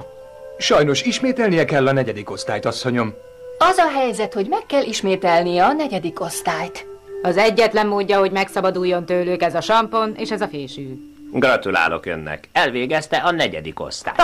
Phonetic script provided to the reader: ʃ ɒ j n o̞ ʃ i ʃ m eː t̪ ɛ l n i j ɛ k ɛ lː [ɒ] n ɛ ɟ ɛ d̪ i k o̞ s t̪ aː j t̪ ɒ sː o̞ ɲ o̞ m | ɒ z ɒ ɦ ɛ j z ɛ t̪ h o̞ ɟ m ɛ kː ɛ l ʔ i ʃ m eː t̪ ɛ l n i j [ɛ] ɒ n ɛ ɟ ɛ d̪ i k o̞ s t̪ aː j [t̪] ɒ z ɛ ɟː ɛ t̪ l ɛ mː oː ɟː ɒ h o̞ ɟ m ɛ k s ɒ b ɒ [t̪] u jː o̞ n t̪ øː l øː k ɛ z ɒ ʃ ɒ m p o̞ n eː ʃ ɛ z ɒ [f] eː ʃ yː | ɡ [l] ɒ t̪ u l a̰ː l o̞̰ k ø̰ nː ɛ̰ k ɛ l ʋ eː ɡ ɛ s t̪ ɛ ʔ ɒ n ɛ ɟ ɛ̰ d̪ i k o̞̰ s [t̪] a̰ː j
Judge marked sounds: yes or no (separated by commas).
yes, yes, yes, no, yes, no, yes